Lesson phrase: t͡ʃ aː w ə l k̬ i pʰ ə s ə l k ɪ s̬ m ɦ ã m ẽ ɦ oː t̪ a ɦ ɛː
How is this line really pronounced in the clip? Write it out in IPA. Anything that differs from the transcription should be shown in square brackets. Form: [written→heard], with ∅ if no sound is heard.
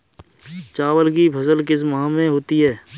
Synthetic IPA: t͡ʃ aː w ə l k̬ i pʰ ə s ə l k ɪ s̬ m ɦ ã m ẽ ɦ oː t̪ [a→i] ɦ ɛː